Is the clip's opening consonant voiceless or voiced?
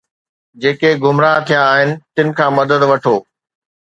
voiced